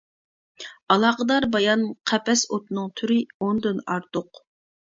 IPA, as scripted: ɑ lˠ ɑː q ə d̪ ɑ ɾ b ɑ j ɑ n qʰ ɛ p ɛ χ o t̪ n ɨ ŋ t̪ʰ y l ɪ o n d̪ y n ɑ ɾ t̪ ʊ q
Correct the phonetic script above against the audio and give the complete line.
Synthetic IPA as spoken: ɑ lˠ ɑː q ə d̪ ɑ ɾ b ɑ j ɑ n qʰ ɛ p ɛ s o t̪ n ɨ ŋ t̪ʰ y ɾ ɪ o n d̪ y n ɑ ɾ t̪ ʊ q